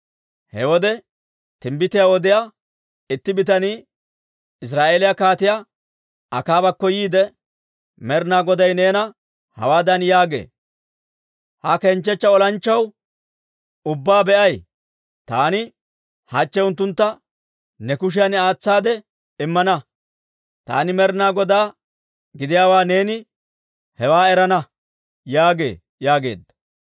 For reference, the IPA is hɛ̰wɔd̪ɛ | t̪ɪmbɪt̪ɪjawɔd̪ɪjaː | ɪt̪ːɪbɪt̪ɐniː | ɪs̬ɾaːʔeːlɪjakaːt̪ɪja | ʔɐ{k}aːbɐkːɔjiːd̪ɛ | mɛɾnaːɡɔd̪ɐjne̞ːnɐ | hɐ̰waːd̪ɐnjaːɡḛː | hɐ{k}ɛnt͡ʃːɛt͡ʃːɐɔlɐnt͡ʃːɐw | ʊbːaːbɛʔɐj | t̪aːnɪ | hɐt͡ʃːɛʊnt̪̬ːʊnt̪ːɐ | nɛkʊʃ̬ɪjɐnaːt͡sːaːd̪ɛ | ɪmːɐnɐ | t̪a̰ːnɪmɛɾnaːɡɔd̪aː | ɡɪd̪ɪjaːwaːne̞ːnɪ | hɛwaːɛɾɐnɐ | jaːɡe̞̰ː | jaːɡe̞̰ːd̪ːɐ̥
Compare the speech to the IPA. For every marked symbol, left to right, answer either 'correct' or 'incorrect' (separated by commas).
correct, correct